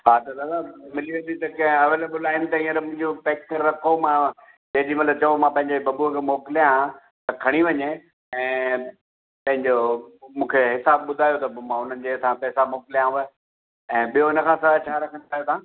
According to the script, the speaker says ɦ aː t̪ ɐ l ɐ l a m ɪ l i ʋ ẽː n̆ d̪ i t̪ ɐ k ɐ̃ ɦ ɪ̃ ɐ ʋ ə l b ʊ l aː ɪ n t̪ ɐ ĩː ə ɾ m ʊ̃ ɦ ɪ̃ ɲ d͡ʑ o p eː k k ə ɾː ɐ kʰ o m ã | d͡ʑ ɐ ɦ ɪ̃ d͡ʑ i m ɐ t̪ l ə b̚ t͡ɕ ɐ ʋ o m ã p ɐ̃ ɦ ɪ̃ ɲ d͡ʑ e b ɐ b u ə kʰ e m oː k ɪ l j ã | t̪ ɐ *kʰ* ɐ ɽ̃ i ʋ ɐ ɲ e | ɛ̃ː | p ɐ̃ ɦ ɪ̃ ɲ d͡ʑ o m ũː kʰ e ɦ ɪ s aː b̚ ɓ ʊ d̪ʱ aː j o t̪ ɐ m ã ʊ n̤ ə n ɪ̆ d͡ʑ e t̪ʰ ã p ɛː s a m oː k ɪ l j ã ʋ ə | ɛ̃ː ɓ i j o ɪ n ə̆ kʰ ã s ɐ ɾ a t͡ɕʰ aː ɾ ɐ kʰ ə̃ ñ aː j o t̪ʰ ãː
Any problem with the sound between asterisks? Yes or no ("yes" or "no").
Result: no